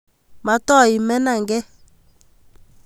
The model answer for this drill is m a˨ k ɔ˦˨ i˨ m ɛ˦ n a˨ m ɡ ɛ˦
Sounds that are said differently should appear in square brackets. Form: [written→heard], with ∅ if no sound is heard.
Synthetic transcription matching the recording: m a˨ [k→t] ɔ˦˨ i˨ m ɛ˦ n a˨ [m→ŋ] ɡ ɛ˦